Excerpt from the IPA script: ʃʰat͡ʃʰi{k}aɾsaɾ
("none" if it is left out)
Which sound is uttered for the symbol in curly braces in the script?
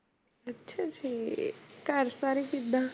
k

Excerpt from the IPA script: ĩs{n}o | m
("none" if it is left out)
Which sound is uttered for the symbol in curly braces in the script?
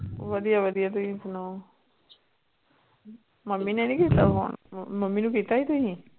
n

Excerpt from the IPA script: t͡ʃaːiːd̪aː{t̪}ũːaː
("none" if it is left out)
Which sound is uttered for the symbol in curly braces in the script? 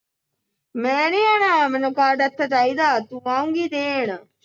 t̪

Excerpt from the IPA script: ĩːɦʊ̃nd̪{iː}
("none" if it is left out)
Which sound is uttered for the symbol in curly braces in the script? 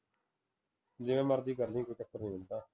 aː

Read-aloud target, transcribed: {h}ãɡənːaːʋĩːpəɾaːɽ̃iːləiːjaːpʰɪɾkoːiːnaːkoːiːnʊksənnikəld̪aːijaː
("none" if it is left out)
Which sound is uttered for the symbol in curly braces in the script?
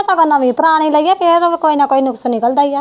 s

